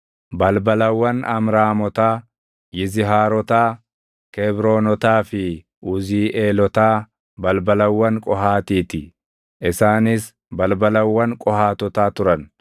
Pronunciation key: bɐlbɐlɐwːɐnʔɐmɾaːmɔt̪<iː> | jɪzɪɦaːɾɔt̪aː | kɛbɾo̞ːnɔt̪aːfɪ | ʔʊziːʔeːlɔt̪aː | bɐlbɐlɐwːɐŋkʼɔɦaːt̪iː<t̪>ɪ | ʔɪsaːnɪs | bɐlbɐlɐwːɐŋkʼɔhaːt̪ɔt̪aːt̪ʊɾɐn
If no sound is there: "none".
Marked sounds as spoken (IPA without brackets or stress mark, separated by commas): aː, t̪